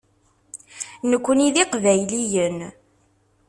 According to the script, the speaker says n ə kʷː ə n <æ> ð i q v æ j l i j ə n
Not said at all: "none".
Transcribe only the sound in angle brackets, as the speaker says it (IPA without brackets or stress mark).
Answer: i